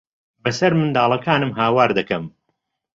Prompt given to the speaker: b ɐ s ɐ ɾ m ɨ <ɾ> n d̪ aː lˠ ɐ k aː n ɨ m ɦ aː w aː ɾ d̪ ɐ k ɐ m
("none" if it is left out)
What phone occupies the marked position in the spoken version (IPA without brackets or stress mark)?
none